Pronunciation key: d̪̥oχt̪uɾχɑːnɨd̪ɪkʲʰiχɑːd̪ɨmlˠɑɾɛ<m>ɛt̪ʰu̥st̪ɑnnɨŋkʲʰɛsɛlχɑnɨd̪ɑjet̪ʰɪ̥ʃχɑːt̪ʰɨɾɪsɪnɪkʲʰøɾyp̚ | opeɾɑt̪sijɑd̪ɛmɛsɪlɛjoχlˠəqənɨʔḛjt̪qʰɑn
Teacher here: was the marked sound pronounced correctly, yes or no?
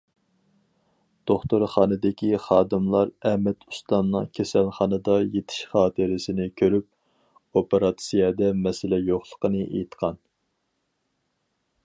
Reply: yes